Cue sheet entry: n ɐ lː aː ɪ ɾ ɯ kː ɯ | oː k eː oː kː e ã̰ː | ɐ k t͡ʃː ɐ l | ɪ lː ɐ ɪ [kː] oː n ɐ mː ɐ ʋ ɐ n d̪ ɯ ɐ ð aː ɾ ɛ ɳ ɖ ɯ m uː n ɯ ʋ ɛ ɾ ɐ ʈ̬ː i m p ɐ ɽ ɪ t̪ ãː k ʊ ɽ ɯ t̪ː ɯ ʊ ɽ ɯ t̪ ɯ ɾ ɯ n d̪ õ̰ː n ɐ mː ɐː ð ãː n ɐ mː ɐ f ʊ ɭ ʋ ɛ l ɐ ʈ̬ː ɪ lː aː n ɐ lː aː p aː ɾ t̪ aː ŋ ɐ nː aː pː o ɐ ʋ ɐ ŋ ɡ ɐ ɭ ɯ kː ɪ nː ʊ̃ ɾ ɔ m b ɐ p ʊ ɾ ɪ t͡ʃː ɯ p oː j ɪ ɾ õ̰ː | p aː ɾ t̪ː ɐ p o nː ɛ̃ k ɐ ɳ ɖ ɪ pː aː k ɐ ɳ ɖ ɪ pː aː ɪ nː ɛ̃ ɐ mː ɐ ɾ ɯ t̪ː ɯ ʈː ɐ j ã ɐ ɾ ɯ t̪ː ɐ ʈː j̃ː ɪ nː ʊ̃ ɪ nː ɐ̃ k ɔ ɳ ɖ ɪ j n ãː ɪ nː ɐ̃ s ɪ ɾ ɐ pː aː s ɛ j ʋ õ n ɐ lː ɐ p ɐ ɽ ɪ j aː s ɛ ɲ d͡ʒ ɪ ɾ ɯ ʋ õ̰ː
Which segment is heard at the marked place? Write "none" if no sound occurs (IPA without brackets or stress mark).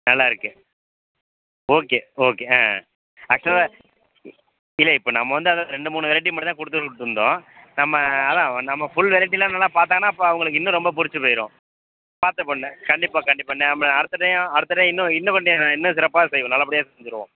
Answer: pː